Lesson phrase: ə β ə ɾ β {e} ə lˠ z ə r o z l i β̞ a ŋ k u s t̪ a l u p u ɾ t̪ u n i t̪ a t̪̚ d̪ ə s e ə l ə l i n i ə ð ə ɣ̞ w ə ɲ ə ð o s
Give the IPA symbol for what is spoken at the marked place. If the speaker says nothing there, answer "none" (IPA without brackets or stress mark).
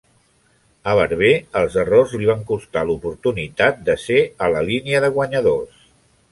e